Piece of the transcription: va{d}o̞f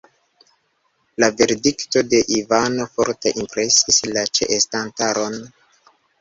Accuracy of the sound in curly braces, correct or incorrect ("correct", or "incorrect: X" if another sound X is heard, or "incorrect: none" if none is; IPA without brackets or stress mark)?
incorrect: n